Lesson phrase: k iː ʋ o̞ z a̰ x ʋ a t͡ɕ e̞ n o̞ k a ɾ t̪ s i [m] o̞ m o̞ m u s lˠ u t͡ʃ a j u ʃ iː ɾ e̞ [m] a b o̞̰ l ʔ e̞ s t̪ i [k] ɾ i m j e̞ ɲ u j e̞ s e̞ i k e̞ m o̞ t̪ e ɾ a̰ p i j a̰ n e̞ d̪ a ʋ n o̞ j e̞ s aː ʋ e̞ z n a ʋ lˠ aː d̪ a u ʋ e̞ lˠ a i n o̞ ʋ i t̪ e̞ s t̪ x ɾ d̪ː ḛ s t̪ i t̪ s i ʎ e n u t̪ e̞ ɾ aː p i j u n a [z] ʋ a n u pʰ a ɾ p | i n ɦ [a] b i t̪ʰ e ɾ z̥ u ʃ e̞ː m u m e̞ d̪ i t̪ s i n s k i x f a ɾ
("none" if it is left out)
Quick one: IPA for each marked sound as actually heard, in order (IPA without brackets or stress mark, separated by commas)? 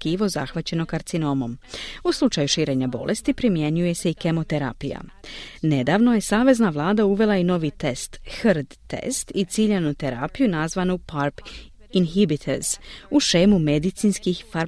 n, ɲ, p, z, i